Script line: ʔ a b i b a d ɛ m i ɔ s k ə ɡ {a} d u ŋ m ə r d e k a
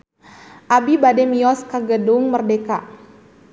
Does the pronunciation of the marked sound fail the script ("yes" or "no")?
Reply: yes